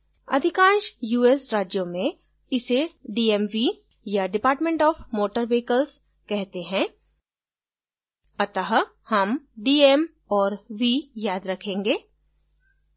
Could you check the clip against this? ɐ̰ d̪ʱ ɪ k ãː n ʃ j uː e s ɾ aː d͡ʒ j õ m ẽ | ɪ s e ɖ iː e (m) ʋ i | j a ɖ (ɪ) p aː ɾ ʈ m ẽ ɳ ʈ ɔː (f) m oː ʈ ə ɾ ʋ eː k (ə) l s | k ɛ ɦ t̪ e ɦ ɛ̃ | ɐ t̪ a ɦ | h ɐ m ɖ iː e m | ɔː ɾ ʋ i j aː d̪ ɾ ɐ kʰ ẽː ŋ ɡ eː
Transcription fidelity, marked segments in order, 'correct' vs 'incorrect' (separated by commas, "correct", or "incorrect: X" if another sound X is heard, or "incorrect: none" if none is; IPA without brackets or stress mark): correct, correct, correct, correct